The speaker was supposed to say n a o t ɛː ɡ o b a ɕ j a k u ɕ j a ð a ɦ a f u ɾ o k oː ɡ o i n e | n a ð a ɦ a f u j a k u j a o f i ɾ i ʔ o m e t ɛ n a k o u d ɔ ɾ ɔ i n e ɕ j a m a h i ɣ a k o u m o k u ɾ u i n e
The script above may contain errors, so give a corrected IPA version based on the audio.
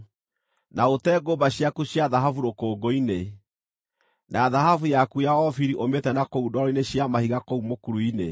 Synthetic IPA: n a o t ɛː ɡ o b a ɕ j a k u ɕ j a ð a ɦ a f u ɾ o k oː ɡ o i n e | n a ð a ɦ a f u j a k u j a ɔ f i ɾ i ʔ o m e t ɛ n a k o u d ɔ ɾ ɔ i n e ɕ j a m a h i ɣ a k o u m o k u ɾ u i n e